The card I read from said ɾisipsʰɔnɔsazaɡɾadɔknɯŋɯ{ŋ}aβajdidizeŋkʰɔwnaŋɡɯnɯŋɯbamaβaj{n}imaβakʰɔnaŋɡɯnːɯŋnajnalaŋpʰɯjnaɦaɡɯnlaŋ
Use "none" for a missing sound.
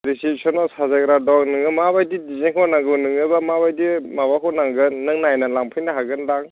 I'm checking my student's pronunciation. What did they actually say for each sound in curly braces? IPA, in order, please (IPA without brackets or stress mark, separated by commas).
m, d